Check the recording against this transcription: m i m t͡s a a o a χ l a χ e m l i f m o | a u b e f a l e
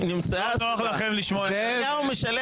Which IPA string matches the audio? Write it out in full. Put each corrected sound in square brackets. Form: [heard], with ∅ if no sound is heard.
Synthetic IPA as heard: [n] i m t͡s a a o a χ l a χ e m l i [ʃ] m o | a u [m] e [ʃ] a l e